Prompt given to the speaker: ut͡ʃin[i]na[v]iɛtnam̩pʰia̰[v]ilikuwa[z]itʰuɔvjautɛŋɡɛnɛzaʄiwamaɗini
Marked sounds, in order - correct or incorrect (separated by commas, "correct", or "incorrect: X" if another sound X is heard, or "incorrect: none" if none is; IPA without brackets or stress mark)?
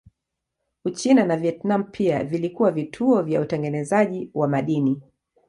incorrect: a, correct, correct, incorrect: v